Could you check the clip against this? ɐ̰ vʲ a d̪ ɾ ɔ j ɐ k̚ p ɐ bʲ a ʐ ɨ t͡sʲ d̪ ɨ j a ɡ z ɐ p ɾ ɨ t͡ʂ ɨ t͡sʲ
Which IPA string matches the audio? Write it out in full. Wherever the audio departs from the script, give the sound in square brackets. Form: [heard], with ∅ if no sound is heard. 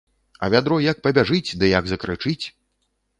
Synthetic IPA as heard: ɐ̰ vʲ a d̪ ɾ ɔ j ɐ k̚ p ɐ bʲ a ʐ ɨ t͡sʲ d̪ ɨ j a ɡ z ɐ [k] ɾ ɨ t͡ʂ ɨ t͡sʲ